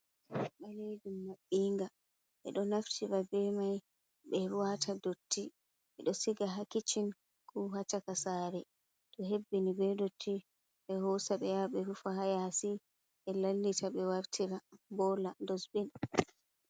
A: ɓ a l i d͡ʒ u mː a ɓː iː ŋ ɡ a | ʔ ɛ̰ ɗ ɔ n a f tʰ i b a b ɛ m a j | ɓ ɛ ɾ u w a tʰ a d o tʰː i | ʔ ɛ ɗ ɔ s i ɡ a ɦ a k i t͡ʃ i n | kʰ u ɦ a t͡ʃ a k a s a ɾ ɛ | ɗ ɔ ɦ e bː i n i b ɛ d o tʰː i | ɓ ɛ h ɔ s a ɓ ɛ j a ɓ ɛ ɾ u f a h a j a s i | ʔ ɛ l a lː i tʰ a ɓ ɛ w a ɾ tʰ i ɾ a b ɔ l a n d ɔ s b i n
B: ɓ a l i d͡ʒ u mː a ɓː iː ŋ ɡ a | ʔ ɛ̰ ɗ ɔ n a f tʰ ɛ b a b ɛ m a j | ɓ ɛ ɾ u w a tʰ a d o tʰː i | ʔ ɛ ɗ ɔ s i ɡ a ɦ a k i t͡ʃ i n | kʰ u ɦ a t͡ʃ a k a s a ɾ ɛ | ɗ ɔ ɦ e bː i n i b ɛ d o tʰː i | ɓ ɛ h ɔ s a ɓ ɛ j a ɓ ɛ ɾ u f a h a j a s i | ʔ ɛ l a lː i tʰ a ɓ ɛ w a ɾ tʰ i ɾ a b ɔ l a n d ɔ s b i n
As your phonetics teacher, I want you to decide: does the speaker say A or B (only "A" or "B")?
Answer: A